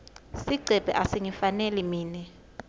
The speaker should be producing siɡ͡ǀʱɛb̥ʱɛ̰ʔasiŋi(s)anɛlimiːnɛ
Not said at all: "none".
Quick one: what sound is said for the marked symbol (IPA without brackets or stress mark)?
f